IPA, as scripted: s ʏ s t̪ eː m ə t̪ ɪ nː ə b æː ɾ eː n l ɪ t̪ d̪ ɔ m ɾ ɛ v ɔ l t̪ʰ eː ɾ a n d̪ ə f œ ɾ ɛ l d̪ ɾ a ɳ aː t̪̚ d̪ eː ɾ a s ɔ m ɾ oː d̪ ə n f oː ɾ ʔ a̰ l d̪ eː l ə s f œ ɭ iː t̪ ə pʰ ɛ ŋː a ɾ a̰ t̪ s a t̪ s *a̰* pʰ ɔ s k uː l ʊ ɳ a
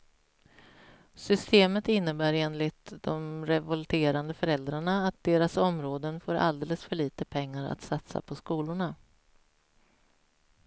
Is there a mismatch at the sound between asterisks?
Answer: no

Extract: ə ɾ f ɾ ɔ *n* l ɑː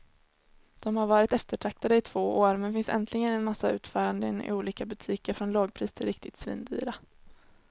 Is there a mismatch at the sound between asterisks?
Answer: no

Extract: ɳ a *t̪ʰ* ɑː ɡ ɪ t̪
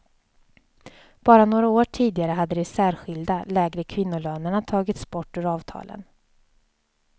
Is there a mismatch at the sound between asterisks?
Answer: no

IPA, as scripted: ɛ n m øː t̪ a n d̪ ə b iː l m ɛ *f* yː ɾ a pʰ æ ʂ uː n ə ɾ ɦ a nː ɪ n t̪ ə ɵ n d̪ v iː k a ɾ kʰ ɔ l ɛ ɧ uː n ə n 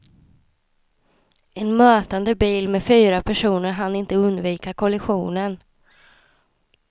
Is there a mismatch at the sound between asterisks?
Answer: no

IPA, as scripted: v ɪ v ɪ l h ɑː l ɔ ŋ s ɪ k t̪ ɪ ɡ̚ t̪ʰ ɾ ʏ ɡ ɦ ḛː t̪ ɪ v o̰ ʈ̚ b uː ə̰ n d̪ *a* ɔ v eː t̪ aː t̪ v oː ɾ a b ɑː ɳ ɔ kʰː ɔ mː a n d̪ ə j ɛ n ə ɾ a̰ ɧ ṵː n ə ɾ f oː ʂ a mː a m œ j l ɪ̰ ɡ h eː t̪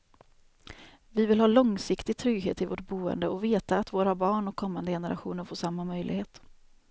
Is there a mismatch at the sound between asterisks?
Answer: yes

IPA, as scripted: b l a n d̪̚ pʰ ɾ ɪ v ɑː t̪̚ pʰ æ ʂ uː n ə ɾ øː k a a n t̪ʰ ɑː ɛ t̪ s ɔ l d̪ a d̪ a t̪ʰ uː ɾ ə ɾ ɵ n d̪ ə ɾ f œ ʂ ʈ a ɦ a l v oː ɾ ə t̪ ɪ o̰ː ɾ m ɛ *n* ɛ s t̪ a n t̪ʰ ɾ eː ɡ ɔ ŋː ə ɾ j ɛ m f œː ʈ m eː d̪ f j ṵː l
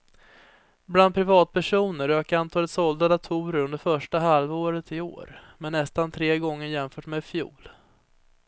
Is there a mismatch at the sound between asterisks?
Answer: yes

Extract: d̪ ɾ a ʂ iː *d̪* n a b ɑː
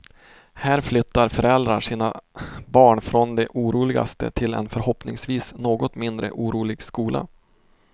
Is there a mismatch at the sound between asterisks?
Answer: yes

